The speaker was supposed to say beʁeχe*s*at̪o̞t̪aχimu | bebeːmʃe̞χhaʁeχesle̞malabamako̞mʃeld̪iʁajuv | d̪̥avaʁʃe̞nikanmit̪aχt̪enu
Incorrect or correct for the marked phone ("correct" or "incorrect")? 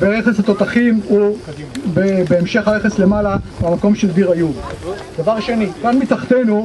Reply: correct